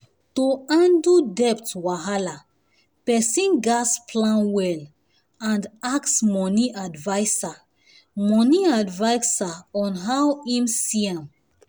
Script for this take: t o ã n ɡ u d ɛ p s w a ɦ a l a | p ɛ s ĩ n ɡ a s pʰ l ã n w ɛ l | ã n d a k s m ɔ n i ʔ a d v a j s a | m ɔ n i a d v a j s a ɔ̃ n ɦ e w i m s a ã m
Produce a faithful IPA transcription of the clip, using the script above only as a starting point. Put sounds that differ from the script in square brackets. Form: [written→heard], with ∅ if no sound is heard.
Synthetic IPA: t o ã n [ɡ→d] u d ɛ p [s→t] w a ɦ a l a | p ɛ s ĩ n ɡ a s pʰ l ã n w ɛ l | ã n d a k s m ɔ n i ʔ a d v a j s a | m ɔ n i a d v a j s a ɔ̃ n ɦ [e→a] w i m s [a→i] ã m

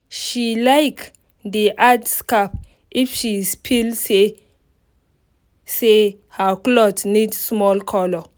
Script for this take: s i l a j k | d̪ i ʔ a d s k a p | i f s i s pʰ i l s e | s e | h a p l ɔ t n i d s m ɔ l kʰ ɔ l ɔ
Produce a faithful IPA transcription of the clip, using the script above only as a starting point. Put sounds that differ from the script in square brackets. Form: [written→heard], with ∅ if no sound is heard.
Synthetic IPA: [s→ʃ] i l a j k | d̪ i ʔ a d s k a p | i f [s→ʃ] i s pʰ i l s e | s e | h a [p→k] l ɔ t n i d s m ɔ l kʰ ɔ l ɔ

